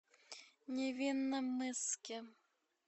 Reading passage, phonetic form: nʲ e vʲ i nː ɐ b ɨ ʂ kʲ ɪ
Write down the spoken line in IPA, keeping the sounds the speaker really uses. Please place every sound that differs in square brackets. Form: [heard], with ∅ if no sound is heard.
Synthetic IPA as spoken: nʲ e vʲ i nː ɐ [m] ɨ [s] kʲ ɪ

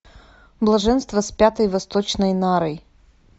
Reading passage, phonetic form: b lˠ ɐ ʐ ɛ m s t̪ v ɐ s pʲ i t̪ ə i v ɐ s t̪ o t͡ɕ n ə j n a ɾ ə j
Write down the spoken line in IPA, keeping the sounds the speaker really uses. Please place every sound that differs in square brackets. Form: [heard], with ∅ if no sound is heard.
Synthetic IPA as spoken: b lˠ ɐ ʐ ɛ [n] s t̪ v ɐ s pʲ [a] t̪ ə [j] v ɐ s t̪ o t͡ɕ n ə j n a ɾ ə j

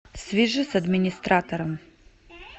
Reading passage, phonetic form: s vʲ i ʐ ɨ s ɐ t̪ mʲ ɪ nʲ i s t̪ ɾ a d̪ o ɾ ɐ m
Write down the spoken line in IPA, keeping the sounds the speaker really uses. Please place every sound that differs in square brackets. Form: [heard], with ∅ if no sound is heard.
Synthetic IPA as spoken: s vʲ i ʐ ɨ s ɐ [d̪] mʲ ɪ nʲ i s t̪ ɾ a [t̪] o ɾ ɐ m

